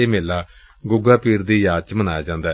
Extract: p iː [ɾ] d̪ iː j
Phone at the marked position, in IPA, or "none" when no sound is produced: ɾ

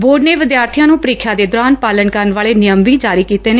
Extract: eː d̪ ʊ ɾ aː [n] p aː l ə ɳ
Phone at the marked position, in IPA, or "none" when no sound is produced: n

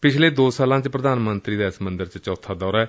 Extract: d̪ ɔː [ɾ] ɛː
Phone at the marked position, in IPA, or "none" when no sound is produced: ɾ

